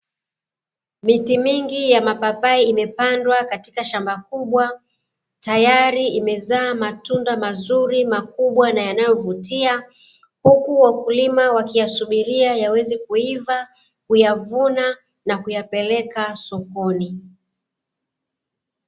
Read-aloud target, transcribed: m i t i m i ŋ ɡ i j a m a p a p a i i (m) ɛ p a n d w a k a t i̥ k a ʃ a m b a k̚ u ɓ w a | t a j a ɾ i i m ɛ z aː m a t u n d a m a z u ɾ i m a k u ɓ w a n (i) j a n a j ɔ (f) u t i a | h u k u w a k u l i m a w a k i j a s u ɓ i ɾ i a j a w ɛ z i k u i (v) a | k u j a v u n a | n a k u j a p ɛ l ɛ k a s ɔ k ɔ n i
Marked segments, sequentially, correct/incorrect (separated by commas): correct, incorrect, incorrect, correct